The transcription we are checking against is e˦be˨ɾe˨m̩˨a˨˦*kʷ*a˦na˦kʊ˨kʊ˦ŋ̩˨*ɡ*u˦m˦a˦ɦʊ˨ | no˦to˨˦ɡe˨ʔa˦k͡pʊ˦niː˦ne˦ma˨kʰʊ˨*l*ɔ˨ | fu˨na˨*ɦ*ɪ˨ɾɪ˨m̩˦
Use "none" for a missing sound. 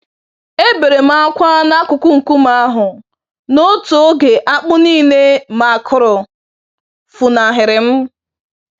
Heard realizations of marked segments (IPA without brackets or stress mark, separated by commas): kʷ, k, ɾ, ɦ